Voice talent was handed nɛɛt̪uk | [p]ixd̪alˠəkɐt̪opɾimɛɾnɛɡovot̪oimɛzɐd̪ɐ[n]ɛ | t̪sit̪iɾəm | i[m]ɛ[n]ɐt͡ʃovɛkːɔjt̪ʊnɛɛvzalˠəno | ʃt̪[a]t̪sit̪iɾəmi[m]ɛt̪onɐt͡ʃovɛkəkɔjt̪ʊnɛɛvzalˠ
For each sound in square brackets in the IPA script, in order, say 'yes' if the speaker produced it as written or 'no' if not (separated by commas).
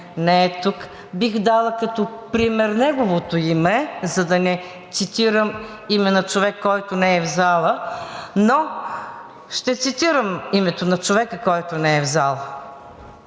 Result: no, yes, yes, yes, no, yes